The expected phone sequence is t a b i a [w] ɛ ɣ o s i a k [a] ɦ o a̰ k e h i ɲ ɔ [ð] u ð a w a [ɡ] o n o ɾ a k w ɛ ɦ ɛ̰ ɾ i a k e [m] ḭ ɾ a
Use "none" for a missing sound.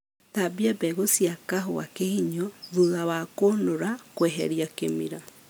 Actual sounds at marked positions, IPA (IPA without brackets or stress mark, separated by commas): b, a, ð, k, m